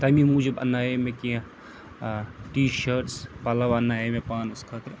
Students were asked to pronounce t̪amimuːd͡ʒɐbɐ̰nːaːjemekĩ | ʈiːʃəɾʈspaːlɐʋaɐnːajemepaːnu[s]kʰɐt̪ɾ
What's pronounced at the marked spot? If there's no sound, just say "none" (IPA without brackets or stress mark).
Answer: s